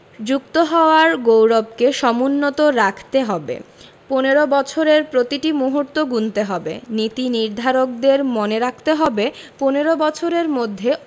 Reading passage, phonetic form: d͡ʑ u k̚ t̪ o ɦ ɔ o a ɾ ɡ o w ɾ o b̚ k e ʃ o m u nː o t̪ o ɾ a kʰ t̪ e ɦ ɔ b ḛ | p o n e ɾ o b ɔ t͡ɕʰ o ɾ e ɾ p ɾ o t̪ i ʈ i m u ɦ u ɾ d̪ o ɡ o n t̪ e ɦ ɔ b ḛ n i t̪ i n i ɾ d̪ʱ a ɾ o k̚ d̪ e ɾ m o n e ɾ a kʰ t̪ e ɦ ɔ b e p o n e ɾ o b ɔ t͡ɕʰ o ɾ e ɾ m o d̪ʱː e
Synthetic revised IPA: d͡ʑ u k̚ t̪ o ɦ ɔ o a ɾ ɡ o w ɾ o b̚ k e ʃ ɔ m u nː o t̪ o ɾ a kʰ t̪ e ɦ ɔ b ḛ | p o n e ɾ o b ɔ t͡ɕʰ o ɾ e ɾ p ɾ o t̪ i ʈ i m u ɦ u ɾ t̪ o ɡ u n t̪ e ɦ ɔ b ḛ n i t̪ i n i ɾ d̪ʱ a ɾ o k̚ d̪ e ɾ m o n e ɾ a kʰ t̪ e ɦ ɔ b e p o n e ɾ o b ɔ t͡ɕʰ o ɾ e ɾ m o d̪ʱː e